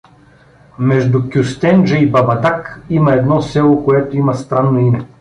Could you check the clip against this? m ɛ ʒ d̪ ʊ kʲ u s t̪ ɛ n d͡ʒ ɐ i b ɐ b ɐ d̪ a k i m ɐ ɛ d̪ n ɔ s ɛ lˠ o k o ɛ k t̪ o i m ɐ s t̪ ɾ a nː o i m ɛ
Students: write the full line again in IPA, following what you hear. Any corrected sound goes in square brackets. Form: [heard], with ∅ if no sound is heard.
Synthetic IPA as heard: m ɛ ʒ d̪ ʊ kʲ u s t̪ ɛ n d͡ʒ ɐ i b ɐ b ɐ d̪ a k i m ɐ ɛ d̪ n ɔ s ɛ lˠ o k o ɛ [∅] t̪ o i m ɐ s t̪ ɾ a nː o i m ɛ